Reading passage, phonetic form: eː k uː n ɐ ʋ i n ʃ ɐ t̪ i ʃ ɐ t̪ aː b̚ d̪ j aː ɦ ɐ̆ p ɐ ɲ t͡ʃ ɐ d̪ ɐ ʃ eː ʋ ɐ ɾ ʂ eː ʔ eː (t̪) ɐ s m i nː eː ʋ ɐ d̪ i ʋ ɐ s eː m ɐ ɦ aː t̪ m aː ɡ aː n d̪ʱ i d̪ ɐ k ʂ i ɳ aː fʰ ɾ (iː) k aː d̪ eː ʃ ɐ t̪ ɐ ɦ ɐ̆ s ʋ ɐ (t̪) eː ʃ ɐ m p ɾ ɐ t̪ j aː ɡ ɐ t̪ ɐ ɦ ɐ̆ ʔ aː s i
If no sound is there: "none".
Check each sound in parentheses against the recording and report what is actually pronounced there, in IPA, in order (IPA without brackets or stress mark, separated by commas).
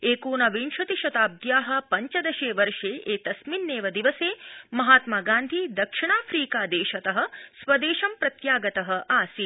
t̪, iː, d̪